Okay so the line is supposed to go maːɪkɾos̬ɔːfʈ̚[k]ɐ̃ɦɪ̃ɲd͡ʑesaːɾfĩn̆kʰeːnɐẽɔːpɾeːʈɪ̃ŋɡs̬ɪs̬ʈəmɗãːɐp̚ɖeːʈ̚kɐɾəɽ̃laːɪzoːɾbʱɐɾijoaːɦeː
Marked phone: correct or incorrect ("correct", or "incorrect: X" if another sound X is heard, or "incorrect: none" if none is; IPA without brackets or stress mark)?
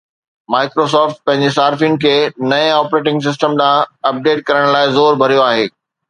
incorrect: p